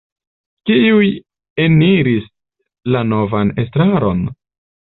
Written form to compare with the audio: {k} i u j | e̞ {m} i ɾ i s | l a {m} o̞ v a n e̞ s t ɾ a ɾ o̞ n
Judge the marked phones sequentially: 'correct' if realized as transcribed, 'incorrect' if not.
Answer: correct, incorrect: n, incorrect: n

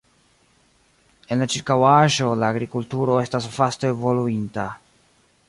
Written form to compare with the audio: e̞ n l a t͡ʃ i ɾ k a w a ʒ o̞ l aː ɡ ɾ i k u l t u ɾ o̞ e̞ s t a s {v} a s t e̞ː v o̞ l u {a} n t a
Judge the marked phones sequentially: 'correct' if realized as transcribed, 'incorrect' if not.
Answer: incorrect: f, incorrect: i

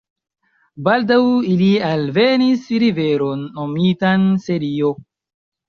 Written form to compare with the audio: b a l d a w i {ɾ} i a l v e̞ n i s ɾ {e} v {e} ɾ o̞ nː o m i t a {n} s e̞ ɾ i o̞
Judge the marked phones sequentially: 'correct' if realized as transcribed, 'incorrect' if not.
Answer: incorrect: l, incorrect: i, correct, correct

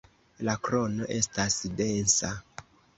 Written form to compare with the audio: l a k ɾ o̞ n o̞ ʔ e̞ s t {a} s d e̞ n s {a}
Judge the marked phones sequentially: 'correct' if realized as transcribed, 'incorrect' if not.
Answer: correct, correct

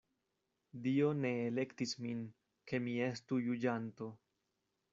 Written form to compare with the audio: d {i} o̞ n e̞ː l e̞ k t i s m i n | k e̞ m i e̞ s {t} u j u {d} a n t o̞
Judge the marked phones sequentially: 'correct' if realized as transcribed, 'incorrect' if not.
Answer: correct, correct, incorrect: d͡ʒ

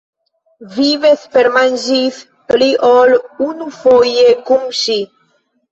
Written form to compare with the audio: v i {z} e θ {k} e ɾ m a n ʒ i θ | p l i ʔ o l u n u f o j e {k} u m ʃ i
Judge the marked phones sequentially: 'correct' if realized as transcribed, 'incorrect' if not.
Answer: incorrect: v, incorrect: p, correct

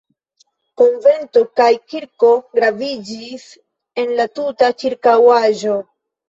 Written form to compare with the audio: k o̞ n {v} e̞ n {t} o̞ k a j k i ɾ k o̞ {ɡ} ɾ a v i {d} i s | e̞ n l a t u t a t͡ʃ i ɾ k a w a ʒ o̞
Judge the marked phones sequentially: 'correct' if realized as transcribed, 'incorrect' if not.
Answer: correct, correct, correct, incorrect: d͡ʒ

